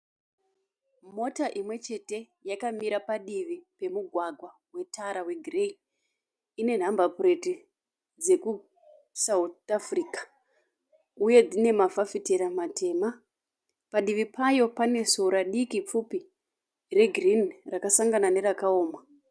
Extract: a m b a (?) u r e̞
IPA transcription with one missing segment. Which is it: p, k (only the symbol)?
p